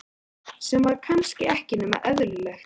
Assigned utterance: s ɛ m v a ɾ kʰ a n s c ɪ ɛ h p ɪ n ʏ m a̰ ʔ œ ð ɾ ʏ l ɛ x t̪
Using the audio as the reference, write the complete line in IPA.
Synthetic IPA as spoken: s ɛ m v a ɾ kʰ a n s c ɪ ɛ h c ɪ n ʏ m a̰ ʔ œ ð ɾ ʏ l ɛ x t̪